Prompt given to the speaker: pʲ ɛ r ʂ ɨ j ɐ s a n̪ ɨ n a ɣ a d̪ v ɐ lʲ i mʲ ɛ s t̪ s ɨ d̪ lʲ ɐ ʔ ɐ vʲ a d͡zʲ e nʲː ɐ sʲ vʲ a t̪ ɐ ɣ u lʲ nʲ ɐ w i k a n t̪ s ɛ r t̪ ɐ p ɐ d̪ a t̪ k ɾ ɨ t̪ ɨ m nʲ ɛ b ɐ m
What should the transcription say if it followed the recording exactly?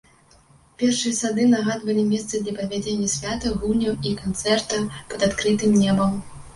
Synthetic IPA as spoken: pʲ ɛ r ʂ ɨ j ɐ s a d̪ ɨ n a ɣ a d̪ v ɐ lʲ i mʲ ɛ s t̪ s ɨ d̪ lʲ ɐ p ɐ vʲ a d͡zʲ e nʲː ɐ sʲ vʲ a t̪ ɐ ɣ u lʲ nʲ ɐ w i k a n t̪ s ɛ r t̪ ɐ p ɐ d̪ a t̪ k ɾ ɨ t̪ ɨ m nʲ ɛ b ɐ m